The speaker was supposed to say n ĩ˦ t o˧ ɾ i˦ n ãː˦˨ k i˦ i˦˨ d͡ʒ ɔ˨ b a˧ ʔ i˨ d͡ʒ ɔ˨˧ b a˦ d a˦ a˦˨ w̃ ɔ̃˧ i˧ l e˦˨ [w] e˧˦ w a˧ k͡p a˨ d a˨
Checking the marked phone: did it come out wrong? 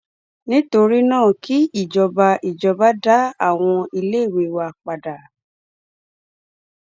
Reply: no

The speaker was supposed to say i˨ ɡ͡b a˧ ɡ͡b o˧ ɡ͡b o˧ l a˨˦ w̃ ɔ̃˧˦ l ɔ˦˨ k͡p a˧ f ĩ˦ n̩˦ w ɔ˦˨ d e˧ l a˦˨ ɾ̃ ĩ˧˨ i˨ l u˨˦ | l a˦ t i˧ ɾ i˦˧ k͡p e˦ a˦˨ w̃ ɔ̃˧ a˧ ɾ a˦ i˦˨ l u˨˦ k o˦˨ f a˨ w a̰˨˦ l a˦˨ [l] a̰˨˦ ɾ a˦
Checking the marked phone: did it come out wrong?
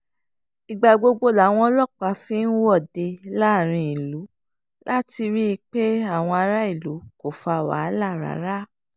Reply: yes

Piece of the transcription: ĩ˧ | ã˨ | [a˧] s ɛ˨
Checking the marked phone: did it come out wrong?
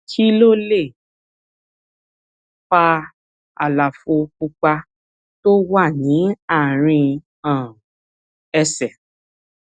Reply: yes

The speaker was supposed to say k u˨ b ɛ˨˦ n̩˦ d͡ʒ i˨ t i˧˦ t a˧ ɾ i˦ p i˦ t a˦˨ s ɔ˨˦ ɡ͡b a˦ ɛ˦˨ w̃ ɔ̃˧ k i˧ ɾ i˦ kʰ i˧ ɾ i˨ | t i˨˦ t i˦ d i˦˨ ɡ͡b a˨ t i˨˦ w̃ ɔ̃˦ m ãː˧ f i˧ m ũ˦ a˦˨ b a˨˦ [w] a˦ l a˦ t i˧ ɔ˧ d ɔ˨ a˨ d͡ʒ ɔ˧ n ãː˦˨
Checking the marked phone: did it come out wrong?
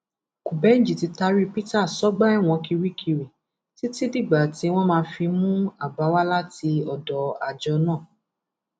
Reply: no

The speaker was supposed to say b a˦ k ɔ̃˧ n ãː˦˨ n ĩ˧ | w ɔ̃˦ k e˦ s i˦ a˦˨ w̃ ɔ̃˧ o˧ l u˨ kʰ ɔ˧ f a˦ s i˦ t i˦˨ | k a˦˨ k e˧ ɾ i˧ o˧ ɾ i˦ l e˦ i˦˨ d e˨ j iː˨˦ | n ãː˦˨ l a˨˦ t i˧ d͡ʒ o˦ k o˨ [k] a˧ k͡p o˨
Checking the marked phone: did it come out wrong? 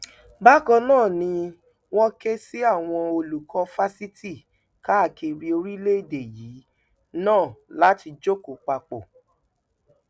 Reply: yes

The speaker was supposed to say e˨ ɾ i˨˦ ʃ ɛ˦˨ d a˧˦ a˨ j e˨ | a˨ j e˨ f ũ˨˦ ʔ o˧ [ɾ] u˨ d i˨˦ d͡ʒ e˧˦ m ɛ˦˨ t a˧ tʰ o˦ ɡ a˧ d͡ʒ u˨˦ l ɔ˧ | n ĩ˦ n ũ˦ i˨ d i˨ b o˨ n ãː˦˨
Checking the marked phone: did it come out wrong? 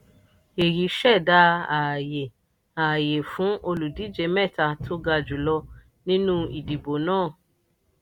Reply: yes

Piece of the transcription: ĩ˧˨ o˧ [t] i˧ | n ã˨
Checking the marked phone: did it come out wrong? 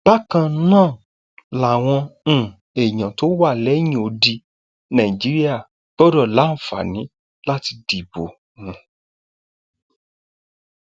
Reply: yes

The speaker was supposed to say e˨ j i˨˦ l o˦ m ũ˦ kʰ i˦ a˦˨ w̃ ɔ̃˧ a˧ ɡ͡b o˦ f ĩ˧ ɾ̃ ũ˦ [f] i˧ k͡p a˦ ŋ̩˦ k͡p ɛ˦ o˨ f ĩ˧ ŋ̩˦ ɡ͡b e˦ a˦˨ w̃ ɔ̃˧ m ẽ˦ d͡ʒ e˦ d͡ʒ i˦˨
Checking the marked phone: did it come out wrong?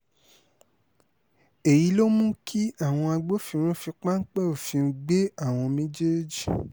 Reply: no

